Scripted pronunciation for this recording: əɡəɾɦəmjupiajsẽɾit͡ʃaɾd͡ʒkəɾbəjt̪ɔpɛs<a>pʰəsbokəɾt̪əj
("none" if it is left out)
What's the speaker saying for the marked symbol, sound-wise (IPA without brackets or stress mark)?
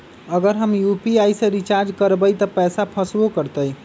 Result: a